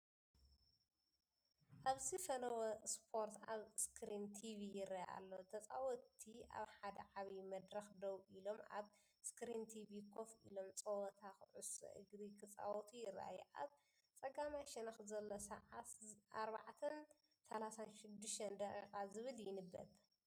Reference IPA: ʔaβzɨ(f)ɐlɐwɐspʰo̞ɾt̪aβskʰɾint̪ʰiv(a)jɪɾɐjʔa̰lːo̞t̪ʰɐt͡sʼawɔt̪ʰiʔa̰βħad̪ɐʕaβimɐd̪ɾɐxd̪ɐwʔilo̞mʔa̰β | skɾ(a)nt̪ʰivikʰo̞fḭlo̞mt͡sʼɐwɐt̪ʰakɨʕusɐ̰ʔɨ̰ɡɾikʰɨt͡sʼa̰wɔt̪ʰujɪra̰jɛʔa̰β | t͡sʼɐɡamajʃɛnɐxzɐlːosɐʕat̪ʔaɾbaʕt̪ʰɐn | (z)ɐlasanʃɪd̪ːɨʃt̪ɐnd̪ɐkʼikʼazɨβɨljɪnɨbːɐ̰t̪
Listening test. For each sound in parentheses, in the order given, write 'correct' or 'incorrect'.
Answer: correct, incorrect, incorrect, incorrect

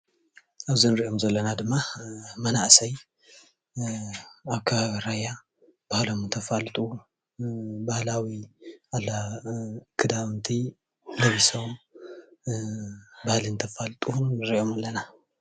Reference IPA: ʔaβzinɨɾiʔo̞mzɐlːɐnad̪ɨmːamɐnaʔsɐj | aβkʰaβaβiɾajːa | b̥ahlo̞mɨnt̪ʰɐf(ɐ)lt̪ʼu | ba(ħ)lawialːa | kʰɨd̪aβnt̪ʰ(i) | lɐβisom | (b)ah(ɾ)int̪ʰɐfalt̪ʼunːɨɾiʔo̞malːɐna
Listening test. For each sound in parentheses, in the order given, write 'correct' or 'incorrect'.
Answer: incorrect, incorrect, correct, correct, incorrect

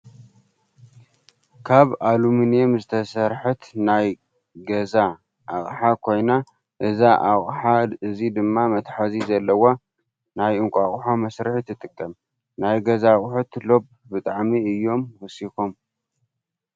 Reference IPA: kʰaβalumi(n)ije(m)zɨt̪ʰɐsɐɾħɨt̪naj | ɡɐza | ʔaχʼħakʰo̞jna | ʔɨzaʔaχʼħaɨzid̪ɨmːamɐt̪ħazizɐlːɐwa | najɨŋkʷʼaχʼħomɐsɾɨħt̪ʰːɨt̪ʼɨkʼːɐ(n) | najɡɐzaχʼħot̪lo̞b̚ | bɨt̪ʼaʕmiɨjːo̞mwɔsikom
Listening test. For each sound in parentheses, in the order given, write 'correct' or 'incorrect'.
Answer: correct, correct, incorrect

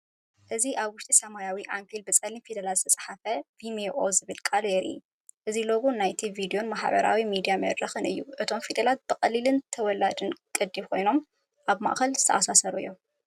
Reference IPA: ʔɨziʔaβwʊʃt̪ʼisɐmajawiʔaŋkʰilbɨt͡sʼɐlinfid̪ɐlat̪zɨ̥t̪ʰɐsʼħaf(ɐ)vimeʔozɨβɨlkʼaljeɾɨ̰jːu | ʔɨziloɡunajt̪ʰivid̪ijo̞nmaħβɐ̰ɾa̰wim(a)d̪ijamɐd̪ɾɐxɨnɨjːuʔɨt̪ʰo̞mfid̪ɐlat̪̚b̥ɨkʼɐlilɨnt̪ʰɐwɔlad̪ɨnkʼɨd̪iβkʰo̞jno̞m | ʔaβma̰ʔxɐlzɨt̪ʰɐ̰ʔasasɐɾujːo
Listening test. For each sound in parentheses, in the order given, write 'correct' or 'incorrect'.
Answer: correct, incorrect

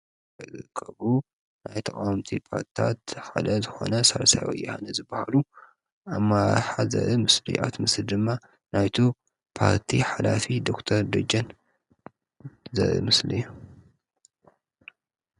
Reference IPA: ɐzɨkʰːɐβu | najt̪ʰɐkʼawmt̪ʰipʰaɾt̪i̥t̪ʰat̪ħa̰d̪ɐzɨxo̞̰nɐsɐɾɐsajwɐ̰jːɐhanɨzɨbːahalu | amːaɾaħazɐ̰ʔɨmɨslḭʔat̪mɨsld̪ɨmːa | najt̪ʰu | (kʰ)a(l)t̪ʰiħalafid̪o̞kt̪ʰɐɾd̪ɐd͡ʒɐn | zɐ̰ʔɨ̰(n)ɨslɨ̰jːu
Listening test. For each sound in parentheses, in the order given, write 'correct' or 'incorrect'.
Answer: incorrect, incorrect, incorrect

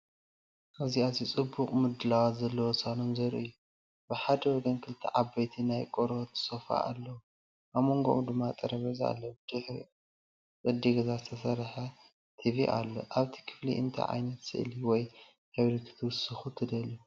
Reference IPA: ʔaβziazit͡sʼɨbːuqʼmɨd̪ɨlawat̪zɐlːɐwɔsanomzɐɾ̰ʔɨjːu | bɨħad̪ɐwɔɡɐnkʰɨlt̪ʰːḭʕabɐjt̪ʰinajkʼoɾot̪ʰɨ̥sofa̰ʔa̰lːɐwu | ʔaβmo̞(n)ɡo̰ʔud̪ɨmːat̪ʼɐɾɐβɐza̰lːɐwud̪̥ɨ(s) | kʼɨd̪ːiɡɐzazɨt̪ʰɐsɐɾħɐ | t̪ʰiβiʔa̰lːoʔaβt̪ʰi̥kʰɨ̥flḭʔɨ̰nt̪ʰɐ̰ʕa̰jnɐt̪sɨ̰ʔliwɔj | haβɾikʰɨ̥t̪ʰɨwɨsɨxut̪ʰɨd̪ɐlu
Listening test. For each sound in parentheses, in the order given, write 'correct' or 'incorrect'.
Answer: incorrect, incorrect

